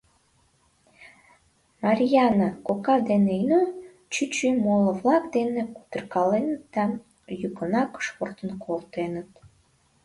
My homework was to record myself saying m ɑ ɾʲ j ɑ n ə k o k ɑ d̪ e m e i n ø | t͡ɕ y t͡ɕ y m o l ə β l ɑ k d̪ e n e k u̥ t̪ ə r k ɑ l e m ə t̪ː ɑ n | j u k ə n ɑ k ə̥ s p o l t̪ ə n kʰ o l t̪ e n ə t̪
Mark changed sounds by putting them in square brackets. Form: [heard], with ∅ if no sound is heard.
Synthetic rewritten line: m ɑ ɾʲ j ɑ n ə k o k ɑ d̪ e [n] e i n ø | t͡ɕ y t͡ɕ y m o l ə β l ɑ k d̪ e n e k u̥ t̪ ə r k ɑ l e [n] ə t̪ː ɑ n | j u k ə n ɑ k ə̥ [ʃ] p o [r] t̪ ə n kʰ o l t̪ e n ə t̪